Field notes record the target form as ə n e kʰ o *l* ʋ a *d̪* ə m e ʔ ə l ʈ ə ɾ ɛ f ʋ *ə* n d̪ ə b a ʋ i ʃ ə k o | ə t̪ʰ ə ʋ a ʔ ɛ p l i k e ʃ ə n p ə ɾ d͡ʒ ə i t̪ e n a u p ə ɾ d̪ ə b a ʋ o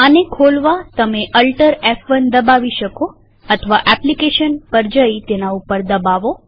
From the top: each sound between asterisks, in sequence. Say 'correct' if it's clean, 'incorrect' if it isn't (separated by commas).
correct, incorrect, correct